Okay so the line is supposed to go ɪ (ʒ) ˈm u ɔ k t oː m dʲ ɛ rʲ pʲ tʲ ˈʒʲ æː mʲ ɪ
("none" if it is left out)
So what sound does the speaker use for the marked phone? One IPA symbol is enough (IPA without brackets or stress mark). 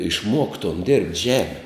ʃ